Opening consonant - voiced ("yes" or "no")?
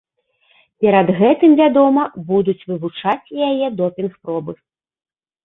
no